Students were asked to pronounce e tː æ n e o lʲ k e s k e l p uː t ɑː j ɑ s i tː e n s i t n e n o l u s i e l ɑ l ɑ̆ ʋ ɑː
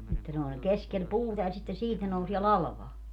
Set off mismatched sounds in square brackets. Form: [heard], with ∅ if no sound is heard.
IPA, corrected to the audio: e tː æ n e o lʲ k e s k e l p uː t [ɑ] j ɑ s i tː e n s [iː] t n e n o [∅] u s i e l ɑ l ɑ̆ ʋ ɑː